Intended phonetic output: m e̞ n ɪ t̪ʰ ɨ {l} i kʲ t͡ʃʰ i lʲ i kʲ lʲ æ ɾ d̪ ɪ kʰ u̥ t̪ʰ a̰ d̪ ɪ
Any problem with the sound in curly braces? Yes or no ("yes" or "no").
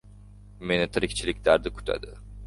yes